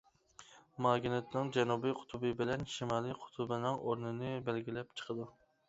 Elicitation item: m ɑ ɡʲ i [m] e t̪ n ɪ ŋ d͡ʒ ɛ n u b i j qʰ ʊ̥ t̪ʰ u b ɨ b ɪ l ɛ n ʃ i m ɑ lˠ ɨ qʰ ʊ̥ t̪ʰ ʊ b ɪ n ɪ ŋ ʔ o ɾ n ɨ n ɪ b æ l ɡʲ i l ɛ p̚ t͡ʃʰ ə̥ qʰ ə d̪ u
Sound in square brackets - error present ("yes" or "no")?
yes